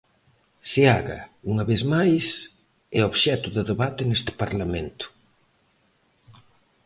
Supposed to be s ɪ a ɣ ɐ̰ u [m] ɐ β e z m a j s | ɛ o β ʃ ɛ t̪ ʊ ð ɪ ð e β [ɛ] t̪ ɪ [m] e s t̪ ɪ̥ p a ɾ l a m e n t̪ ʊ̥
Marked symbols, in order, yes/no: no, no, no

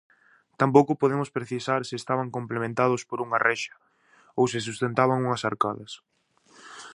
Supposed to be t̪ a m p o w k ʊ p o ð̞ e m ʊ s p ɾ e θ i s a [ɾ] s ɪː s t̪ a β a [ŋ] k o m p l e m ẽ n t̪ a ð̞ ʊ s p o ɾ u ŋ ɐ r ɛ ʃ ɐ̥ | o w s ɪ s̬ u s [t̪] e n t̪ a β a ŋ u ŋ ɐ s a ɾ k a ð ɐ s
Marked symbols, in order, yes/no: yes, yes, yes

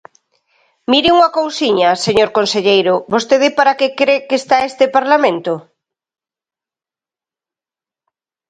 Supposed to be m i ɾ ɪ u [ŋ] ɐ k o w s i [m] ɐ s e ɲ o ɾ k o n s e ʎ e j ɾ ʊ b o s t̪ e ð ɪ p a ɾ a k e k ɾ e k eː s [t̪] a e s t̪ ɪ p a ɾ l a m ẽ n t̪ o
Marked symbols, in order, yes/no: yes, no, yes

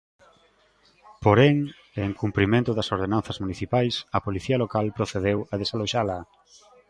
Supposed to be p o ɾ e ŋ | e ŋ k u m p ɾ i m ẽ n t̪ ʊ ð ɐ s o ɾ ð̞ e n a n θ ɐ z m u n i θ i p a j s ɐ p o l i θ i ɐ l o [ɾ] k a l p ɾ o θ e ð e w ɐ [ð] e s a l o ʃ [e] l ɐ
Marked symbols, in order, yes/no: no, yes, no

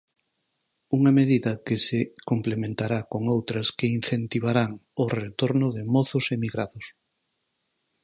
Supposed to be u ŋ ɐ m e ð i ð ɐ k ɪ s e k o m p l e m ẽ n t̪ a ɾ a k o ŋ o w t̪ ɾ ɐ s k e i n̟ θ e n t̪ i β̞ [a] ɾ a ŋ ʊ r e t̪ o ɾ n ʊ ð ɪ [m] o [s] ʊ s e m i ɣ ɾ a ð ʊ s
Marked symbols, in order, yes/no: yes, yes, no

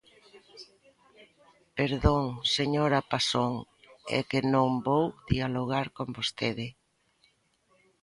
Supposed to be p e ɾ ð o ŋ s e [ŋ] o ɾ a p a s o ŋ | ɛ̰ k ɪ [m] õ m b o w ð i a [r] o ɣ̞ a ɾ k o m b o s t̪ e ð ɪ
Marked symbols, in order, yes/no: no, no, no

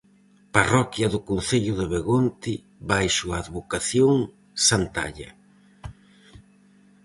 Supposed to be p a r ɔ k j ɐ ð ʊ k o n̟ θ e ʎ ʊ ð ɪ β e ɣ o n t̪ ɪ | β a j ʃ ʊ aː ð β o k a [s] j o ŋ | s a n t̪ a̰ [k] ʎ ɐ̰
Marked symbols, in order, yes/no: no, no

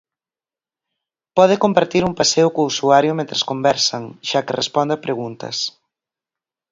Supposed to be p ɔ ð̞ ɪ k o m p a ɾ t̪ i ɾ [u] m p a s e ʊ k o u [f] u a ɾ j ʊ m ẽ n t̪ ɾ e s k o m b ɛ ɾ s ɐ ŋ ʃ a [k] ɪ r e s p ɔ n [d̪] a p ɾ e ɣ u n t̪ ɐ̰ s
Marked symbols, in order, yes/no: yes, no, yes, yes

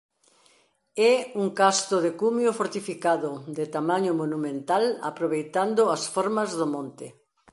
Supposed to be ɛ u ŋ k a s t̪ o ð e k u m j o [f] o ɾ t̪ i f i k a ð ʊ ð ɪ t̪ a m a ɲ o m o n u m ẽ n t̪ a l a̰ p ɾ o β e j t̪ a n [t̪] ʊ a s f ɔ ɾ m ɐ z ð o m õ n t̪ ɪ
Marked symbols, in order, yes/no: yes, no

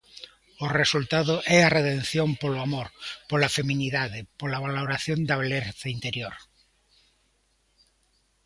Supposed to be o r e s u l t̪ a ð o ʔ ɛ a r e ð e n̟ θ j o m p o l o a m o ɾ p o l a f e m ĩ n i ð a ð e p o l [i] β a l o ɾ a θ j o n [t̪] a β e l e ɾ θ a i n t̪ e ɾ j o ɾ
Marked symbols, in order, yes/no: no, no

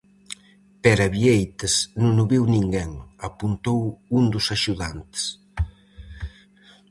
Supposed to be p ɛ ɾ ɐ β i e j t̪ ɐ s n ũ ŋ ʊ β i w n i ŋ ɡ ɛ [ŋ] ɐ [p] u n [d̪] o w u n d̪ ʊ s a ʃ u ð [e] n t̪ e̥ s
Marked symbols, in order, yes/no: yes, yes, no, no

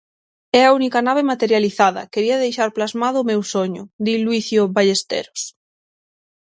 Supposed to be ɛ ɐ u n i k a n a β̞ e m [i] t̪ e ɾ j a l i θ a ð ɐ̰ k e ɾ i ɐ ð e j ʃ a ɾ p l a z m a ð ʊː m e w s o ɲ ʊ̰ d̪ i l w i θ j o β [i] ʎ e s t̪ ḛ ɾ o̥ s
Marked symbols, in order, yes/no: no, no

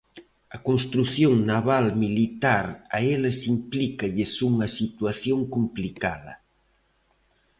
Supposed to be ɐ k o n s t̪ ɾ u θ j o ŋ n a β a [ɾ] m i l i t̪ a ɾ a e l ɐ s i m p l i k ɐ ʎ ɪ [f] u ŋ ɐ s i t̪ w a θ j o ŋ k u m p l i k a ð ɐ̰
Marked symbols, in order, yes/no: no, no

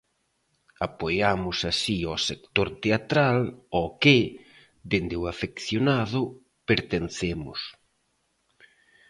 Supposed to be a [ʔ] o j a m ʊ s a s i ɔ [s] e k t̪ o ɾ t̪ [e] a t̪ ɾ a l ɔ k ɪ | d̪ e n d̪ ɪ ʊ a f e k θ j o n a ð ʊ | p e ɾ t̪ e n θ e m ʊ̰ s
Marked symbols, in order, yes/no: no, yes, yes

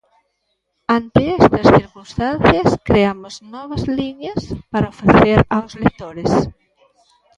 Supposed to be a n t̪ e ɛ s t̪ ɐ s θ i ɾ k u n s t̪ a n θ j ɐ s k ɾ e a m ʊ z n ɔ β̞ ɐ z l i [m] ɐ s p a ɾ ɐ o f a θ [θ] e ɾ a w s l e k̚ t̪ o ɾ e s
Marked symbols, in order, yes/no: no, yes

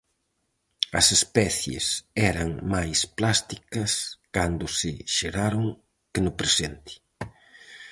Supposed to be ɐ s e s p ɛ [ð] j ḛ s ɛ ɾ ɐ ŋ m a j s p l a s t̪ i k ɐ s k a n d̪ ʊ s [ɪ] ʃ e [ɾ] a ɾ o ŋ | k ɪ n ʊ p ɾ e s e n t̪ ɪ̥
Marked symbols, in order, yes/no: no, yes, yes

